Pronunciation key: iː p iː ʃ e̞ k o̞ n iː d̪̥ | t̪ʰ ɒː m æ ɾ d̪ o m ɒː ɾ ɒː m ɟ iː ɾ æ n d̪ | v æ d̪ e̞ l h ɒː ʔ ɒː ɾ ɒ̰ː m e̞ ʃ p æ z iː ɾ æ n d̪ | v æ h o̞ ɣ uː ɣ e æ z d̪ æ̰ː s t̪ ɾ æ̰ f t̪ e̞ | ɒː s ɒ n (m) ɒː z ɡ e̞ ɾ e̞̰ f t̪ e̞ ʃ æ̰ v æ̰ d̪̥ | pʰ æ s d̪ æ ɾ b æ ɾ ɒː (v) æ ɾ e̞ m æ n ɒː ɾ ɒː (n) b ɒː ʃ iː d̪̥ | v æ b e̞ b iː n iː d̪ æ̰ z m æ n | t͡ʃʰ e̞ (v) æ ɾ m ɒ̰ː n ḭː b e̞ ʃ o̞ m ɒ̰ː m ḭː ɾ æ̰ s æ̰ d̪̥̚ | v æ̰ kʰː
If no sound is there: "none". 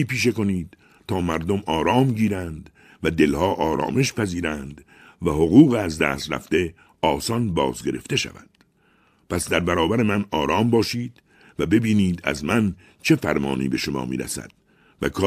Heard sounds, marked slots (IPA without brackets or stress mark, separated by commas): b, b, m, f